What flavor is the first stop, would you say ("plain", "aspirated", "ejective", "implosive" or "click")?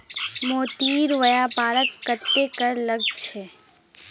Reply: plain